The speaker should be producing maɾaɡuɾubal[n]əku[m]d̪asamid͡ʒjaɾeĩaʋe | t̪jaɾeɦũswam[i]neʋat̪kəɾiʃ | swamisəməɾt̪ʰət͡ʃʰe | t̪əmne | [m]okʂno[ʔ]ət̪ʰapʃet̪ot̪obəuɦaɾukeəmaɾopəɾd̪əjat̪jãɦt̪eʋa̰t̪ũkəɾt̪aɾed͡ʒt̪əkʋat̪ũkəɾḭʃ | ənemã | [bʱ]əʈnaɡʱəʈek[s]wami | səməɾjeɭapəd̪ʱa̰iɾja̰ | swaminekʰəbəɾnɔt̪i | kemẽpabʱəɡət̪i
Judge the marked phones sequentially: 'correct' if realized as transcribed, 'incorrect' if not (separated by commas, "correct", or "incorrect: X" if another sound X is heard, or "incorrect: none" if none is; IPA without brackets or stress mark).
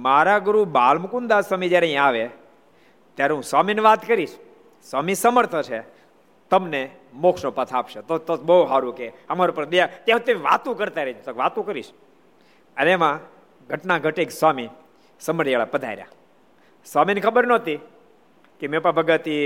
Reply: incorrect: m, incorrect: n, correct, correct, incorrect: p, incorrect: ɡʱ, correct